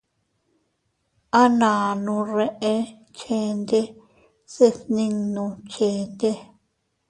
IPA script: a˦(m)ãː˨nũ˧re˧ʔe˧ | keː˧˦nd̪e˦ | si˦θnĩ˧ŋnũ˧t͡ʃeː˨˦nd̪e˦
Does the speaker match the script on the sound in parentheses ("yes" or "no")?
no